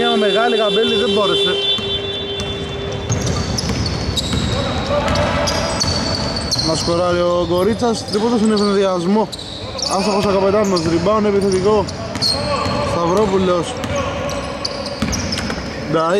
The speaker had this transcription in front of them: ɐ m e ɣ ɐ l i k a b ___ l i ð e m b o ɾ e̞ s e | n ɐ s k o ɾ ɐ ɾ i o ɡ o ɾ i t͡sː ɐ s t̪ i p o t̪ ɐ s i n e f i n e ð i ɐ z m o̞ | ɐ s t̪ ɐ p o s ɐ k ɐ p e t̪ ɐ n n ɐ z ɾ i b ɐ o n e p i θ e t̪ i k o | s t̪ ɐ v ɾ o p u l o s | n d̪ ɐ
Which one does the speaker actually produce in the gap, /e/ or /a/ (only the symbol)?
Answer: e